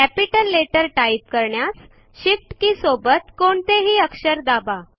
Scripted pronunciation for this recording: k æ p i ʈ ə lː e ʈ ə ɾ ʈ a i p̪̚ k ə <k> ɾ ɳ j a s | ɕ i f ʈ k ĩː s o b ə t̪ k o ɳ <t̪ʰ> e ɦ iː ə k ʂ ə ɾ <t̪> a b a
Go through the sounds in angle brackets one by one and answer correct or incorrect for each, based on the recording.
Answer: incorrect, incorrect, incorrect

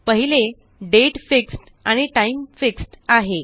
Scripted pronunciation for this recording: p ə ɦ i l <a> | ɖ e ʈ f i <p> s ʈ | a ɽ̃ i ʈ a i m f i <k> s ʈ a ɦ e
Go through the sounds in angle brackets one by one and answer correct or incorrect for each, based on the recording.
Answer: incorrect, incorrect, correct

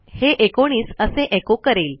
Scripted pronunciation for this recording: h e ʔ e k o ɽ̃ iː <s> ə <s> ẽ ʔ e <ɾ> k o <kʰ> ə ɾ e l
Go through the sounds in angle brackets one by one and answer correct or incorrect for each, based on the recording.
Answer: correct, correct, incorrect, incorrect

